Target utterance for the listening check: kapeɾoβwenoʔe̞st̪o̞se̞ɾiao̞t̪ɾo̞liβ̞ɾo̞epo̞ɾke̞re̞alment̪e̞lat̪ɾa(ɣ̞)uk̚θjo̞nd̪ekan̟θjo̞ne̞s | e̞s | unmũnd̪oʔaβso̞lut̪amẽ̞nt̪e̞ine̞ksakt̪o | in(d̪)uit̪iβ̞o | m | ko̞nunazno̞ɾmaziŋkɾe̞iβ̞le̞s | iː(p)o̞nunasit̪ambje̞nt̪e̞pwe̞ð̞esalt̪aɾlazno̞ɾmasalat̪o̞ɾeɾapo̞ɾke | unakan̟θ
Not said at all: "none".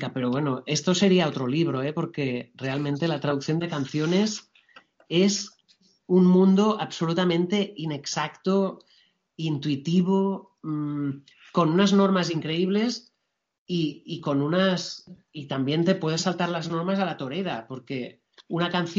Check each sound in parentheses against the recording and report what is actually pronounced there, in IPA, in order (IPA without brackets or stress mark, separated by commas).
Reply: ð̞, t̪, k